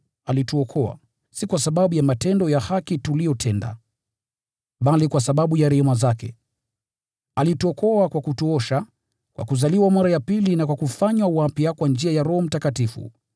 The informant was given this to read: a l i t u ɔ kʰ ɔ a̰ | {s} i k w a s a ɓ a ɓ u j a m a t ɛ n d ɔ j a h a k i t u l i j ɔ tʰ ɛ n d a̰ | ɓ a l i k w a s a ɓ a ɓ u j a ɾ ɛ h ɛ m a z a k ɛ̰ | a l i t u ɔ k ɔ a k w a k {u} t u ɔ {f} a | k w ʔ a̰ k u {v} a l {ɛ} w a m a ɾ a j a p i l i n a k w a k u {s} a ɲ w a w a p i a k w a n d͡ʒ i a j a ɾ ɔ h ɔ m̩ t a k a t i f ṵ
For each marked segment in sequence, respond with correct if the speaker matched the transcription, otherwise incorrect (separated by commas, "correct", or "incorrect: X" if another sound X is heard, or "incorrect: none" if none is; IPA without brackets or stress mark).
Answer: correct, correct, incorrect: ʃ, incorrect: z, incorrect: i, incorrect: f